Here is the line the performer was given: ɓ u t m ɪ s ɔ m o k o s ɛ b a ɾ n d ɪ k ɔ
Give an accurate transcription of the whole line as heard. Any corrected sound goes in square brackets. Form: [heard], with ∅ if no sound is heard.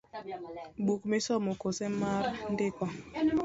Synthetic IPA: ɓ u [k] m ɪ s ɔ m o k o s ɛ [m] a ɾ n d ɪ k ɔ